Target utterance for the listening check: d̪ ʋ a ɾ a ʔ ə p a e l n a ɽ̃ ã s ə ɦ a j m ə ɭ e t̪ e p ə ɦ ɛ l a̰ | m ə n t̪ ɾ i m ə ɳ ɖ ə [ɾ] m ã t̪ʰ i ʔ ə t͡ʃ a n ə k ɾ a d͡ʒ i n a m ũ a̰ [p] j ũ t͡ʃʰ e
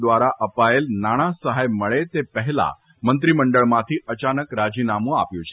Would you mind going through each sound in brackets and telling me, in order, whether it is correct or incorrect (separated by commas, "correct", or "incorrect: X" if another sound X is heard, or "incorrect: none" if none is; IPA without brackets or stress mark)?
incorrect: ɭ, correct